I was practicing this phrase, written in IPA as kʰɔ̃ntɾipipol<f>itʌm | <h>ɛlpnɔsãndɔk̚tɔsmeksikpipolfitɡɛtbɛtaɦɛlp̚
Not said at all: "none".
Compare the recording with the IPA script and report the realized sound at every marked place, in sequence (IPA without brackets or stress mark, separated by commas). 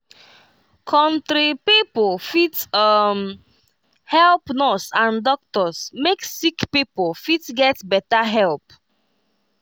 f, h